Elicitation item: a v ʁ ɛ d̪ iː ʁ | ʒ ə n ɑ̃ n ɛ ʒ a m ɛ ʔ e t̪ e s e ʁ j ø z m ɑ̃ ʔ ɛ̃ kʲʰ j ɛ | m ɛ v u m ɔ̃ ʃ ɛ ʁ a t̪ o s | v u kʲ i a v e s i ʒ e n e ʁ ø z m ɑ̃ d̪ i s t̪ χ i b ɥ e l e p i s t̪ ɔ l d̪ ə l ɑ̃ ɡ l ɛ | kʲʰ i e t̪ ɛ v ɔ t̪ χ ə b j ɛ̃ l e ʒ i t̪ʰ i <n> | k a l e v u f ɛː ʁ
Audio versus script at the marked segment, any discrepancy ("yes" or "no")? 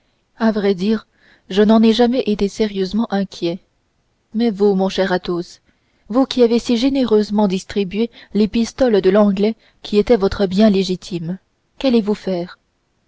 yes